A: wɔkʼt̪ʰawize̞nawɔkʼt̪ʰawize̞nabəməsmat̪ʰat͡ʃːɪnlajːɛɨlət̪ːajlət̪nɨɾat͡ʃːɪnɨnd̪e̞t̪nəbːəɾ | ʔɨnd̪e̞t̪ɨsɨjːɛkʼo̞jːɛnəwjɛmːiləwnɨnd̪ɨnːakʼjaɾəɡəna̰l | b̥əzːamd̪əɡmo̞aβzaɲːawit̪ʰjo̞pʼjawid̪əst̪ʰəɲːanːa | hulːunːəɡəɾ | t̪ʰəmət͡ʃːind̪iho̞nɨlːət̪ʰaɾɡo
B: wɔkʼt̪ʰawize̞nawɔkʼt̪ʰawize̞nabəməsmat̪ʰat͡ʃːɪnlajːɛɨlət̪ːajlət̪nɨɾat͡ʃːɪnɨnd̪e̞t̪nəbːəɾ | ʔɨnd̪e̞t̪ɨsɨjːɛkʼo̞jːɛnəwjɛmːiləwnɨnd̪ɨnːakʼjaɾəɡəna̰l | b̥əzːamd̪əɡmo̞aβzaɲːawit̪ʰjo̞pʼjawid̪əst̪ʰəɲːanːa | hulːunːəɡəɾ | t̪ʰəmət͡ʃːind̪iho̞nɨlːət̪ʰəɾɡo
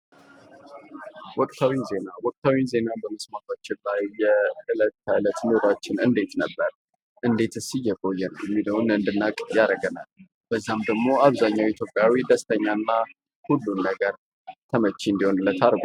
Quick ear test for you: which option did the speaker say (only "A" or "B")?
A